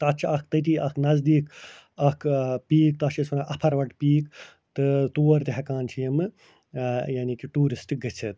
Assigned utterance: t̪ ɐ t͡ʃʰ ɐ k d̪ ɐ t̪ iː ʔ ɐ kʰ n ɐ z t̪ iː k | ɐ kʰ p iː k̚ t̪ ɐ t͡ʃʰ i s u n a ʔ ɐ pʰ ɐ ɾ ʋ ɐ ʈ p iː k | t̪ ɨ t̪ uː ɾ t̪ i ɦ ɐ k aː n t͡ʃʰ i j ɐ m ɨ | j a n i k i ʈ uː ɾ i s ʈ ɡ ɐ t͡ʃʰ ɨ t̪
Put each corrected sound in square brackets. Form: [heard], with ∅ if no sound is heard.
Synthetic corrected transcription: t̪ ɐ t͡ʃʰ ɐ k [t̪] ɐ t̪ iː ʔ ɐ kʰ n ɐ z [d̪] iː k | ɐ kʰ p iː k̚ t̪ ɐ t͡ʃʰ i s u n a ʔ ɐ pʰ ɐ ɾ ʋ ɐ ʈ p iː k | t̪ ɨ t̪ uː ɾ t̪ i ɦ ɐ k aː n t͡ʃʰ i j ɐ m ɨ | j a n i k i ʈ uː ɾ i s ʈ ɡ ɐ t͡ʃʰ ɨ t̪